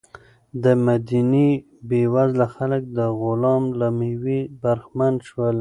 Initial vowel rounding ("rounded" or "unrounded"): unrounded